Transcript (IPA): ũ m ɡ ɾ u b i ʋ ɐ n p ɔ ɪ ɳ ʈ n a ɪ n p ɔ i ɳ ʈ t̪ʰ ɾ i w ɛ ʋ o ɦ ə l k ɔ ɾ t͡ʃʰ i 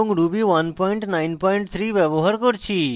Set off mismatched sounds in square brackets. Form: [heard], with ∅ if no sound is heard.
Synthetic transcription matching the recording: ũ [ŋ] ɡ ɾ u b i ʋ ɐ n p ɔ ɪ ɳ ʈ n a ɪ n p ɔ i ɳ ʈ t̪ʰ ɾ i [ʋ] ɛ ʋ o ɦ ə [ɾ] k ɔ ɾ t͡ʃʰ i